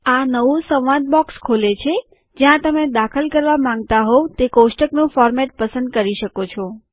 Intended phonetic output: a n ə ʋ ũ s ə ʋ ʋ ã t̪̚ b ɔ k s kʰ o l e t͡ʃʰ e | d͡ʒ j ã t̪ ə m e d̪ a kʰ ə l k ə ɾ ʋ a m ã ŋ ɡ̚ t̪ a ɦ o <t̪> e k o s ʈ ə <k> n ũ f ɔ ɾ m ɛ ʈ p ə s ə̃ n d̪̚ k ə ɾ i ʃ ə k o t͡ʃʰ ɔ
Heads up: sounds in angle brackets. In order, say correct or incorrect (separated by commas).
correct, correct